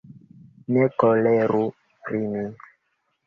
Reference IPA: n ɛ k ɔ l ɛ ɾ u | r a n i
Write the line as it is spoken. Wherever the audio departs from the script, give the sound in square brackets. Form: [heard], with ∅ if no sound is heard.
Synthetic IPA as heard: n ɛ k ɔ l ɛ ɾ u | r [i] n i